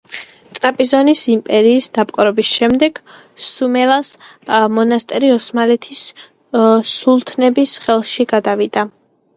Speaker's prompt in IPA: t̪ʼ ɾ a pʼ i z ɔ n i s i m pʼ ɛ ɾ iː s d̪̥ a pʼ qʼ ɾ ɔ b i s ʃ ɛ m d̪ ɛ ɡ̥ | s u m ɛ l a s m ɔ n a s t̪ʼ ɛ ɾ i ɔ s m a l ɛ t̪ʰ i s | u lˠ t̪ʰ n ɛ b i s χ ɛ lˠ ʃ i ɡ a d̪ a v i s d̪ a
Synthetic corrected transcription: t̪ʼ ɾ a pʼ i z ɔ n i s i m pʼ ɛ ɾ iː s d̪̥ a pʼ qʼ ɾ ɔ b i s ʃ ɛ m d̪ ɛ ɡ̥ | s u m ɛ l a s m ɔ n a s t̪ʼ ɛ ɾ i ɔ s m a l ɛ t̪ʰ i s | u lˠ t̪ʰ n ɛ b i s χ ɛ lˠ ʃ i ɡ a d̪ a v i d̪ a